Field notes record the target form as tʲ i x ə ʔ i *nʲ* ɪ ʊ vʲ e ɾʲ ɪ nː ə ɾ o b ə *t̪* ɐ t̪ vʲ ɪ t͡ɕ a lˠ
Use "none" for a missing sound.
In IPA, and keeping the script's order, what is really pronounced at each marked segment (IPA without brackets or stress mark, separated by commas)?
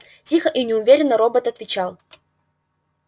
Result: nʲ, t̪